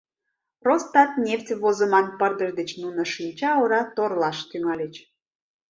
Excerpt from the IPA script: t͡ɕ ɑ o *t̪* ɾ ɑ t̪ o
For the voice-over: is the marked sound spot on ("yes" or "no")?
no